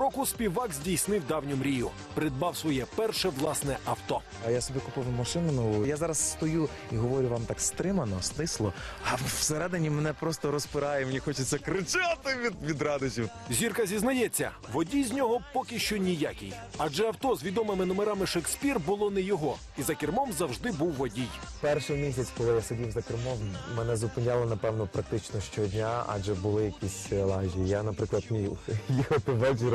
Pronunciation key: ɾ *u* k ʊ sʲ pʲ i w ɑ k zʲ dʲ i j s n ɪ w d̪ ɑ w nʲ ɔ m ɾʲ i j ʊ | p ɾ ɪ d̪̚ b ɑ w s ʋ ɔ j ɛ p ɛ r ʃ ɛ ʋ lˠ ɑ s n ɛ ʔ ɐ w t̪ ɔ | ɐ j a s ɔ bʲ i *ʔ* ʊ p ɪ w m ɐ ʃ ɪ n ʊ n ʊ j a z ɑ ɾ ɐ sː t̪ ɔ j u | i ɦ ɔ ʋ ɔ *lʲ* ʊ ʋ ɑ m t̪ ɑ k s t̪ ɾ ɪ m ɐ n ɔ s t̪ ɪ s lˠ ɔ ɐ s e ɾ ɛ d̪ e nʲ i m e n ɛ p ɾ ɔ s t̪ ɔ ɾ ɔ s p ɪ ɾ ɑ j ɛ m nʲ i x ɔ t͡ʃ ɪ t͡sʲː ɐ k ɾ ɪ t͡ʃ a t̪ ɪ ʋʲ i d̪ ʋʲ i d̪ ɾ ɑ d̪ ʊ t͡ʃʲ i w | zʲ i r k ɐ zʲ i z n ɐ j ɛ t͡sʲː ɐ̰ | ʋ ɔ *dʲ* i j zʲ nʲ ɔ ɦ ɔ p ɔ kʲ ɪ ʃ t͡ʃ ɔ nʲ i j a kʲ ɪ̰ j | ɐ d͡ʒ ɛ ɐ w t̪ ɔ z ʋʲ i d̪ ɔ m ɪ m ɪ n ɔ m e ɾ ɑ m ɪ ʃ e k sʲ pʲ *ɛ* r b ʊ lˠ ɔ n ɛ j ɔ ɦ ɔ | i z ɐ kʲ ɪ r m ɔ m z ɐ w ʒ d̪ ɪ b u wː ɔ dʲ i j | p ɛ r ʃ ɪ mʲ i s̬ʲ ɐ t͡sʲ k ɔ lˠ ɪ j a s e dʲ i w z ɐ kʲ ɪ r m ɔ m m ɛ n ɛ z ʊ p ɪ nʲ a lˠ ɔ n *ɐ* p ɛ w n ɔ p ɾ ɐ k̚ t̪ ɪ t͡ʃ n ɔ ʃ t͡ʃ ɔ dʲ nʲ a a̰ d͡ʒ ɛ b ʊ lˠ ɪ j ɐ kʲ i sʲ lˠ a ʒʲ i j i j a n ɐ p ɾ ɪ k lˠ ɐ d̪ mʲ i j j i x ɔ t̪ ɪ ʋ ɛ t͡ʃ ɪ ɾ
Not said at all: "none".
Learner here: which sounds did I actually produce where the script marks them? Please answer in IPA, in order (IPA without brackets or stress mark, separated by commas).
ɔ, k, ɾʲ, dʲ, i, ɐ